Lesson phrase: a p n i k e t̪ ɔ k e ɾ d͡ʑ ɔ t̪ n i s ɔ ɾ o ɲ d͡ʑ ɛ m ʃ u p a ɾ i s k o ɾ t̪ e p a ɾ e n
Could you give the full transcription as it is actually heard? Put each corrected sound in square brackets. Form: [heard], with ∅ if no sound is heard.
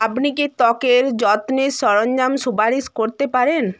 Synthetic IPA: a p n i k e t̪ ɔ k e ɾ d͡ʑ ɔ t̪ n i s ɔ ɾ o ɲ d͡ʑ [a] m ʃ u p a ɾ i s k o ɾ t̪ e p a ɾ e n